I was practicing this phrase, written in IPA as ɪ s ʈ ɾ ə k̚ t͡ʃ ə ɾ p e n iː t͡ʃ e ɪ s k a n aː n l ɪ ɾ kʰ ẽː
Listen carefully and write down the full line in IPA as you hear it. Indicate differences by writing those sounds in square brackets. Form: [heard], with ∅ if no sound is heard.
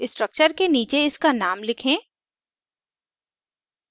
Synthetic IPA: ɪ s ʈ ɾ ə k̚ t͡ʃ ə ɾ [k] e n iː t͡ʃ e ɪ s k a n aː [m] l ɪ [∅] kʰ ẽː